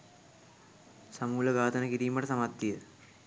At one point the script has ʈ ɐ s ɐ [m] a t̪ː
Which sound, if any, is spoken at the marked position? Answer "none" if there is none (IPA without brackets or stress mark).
m